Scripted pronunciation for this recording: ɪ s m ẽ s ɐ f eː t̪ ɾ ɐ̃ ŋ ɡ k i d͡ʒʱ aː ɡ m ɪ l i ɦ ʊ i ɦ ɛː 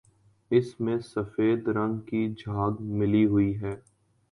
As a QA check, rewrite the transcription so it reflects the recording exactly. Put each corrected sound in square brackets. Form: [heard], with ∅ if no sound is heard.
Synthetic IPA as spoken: ɪ s m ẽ s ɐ f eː [d̪] ɾ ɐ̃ ŋ ɡ k i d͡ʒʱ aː ɡ m ɪ l i ɦ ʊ i ɦ ɛː